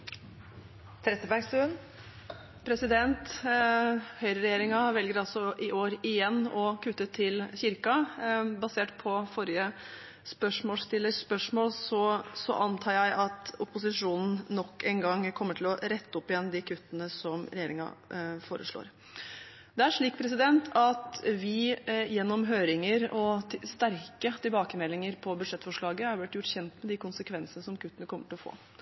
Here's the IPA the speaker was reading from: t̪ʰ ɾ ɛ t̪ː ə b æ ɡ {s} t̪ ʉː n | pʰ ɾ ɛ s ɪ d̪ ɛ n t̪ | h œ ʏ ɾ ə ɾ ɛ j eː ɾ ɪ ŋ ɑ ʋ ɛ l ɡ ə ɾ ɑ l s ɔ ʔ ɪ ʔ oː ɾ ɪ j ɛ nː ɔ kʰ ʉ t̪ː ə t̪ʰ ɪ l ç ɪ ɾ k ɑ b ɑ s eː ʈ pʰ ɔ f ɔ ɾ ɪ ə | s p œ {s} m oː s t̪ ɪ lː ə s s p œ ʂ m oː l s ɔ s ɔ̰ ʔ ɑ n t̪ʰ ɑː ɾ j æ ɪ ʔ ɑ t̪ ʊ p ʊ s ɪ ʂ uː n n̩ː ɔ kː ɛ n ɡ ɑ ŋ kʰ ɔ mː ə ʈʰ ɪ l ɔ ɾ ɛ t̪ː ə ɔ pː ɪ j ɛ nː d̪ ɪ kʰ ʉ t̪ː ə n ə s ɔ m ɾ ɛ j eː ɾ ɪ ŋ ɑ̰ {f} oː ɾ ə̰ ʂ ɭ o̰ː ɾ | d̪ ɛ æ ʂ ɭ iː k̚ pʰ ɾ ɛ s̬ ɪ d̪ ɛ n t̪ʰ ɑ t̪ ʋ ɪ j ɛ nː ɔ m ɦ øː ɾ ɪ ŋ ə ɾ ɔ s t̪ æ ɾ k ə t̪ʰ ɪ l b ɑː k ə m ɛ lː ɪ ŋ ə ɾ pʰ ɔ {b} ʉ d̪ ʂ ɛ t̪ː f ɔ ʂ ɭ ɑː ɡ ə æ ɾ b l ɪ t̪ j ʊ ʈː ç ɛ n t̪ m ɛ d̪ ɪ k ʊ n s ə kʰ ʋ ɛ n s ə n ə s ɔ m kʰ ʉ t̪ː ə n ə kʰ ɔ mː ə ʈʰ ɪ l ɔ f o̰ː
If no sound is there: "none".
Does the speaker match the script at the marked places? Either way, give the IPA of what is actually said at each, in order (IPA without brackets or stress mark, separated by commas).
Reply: s, ʂ, f, b